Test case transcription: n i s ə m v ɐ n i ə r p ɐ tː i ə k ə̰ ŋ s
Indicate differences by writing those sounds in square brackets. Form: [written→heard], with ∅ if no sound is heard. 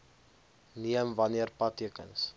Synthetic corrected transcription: n i [s→∅] ə m v ɐ n i ə r p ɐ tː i ə k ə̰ [ŋ→n] s